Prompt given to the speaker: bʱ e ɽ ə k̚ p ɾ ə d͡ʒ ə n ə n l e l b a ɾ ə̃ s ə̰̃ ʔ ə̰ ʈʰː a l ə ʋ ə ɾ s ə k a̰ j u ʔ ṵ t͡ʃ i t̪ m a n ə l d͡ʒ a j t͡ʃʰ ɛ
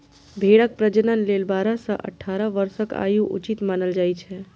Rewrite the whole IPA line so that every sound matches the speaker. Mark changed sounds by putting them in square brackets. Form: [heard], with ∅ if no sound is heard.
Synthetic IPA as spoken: bʱ e ɽ ə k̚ p ɾ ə d͡ʒ ə n ə n l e l b a ɾ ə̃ s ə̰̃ ʔ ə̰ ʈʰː a [ɾ] ə ʋ ə ɾ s ə k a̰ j u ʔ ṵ t͡ʃ i t̪ m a n ə l d͡ʒ a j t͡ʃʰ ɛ